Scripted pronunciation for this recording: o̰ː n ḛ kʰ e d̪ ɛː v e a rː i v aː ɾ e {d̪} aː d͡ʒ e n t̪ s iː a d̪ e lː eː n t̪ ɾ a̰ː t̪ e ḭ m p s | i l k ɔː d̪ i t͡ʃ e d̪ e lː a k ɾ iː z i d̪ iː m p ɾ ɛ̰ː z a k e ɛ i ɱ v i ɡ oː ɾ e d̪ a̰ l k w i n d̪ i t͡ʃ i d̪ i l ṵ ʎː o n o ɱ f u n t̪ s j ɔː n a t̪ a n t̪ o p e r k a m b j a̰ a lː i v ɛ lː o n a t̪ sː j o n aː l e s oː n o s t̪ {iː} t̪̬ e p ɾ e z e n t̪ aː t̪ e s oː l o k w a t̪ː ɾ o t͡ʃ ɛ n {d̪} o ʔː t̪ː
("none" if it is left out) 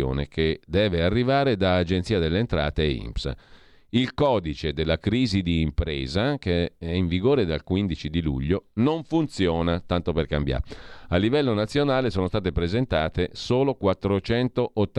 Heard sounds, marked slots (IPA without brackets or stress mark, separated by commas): d̪, aː, t̪